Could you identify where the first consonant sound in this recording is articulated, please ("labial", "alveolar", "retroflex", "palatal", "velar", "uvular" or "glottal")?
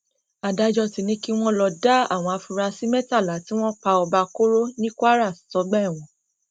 alveolar